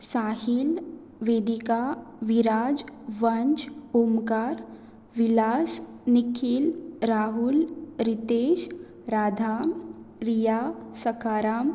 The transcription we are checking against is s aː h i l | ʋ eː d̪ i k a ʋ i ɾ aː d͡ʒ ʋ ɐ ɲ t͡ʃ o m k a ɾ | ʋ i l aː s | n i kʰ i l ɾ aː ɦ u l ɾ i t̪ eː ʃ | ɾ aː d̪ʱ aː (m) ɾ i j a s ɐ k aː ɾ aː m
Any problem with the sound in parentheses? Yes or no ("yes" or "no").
no